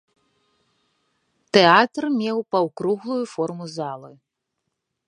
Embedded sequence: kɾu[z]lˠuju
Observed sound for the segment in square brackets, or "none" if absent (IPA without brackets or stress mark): ɣ